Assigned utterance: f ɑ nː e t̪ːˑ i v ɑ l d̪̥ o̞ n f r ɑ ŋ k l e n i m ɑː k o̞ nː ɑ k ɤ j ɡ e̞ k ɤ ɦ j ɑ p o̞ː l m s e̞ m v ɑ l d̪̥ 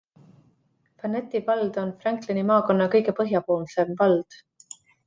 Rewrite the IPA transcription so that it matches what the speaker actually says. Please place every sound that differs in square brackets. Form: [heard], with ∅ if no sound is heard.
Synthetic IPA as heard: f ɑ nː e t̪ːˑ i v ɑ l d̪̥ o̞ n f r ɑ ŋ k l e n i m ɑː k o̞ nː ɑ k ɤ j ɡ e̞ [p] ɤ ɦ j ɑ p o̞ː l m s e̞ m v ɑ l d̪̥